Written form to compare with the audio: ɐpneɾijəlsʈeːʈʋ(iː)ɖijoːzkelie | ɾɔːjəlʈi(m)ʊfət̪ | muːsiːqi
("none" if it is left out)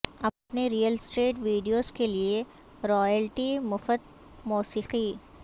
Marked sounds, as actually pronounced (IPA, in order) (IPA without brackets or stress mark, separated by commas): iː, m